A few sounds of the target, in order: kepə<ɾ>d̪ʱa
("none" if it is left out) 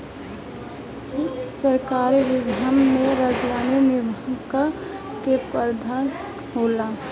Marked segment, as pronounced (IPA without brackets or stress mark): ɾ